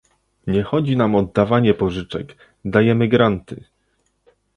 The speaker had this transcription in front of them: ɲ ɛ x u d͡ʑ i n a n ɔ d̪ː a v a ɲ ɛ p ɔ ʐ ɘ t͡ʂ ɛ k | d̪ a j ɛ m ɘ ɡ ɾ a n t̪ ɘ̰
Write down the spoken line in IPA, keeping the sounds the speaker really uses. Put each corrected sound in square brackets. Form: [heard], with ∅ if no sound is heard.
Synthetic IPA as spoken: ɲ ɛ x [ɔ] d͡ʑ i n a [m] ɔ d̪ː a v a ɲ ɛ p ɔ ʐ ɘ t͡ʂ ɛ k | d̪ a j ɛ m ɘ ɡ ɾ a n t̪ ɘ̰